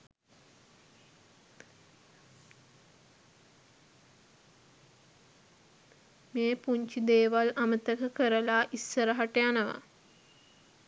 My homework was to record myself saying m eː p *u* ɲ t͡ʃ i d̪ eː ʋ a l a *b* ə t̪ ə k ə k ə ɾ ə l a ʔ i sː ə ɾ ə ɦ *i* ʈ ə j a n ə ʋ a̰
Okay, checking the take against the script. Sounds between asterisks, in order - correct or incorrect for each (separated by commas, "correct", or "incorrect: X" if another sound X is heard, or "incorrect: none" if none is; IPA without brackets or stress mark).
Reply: correct, incorrect: m, incorrect: a